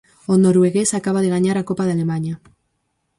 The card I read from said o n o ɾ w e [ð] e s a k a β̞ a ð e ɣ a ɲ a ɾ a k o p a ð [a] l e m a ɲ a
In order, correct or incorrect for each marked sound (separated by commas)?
incorrect, correct